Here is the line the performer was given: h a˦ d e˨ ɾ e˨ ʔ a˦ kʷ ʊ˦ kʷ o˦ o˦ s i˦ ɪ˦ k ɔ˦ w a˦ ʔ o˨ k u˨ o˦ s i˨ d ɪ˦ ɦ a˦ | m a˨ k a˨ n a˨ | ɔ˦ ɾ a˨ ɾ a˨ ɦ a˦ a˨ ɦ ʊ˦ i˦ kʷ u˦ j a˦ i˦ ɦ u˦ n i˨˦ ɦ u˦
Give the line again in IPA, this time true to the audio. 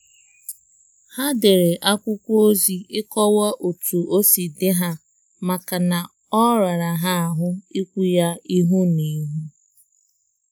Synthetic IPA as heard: h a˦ d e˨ ɾ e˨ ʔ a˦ kʷ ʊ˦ kʷ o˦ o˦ z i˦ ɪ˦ k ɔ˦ w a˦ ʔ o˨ t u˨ o˦ s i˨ d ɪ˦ ɦ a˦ | m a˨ k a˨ n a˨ | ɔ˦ ɾ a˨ ɾ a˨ ɦ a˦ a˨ ɦ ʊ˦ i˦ kʷ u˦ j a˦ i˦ ɦ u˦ n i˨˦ ɦ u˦